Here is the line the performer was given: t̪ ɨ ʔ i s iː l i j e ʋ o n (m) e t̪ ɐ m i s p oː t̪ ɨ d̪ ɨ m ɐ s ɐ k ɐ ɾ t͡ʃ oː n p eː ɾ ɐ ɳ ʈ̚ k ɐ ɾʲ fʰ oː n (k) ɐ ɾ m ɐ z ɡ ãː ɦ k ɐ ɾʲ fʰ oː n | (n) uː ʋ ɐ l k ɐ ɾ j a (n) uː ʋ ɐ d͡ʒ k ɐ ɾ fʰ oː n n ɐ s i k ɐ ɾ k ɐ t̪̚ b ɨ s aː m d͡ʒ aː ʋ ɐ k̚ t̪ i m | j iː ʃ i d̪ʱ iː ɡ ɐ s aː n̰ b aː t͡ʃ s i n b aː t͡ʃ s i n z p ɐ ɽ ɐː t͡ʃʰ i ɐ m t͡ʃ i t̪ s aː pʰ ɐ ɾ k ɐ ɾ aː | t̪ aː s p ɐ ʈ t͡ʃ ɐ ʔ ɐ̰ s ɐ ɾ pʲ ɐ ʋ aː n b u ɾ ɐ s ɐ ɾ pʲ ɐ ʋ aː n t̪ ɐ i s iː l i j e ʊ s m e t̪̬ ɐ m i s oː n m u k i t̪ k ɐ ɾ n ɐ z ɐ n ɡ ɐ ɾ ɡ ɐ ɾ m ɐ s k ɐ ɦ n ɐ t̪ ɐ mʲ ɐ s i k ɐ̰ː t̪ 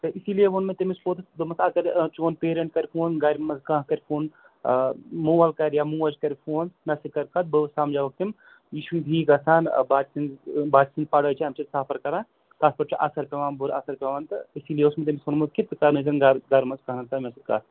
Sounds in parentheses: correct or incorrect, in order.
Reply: correct, incorrect, incorrect, incorrect

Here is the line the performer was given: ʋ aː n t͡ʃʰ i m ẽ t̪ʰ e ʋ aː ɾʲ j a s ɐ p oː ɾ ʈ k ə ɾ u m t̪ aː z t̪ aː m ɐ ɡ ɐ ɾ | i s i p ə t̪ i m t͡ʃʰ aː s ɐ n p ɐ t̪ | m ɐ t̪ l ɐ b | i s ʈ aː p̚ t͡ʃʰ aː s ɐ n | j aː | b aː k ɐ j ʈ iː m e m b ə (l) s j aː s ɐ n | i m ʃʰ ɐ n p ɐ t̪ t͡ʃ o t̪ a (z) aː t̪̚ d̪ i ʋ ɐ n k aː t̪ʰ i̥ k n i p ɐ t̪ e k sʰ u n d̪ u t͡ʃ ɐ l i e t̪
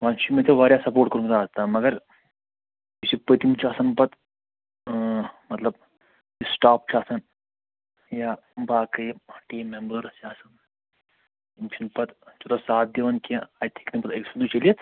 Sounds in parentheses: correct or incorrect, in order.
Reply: incorrect, incorrect

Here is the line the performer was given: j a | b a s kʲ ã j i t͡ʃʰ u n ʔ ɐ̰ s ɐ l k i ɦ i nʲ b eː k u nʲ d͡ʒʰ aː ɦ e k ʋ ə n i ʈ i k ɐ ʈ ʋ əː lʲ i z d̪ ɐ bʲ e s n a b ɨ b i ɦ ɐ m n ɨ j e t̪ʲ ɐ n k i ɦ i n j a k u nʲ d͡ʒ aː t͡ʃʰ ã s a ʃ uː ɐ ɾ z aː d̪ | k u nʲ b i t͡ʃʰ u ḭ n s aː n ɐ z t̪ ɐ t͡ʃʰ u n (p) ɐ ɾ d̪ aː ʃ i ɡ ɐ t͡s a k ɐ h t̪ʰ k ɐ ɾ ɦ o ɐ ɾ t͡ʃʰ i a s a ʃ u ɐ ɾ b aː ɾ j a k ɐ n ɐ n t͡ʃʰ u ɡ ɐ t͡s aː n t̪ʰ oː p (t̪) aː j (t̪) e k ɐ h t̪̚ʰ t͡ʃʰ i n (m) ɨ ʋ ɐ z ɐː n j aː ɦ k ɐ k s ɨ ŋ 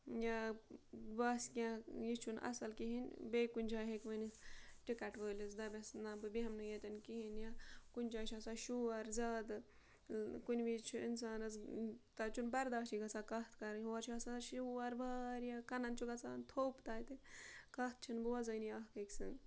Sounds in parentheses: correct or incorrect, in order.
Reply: incorrect, correct, correct, incorrect

